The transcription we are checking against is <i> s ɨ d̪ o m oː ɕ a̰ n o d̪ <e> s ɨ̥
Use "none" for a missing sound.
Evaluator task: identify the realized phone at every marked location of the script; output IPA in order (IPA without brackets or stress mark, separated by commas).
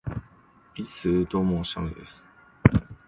i, e